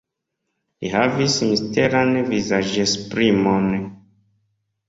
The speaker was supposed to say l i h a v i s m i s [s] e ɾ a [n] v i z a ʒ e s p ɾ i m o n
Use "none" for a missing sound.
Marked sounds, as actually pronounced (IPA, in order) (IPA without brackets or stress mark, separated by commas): t, n